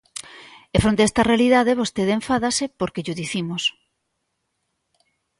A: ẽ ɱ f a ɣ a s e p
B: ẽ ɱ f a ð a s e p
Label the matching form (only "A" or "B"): B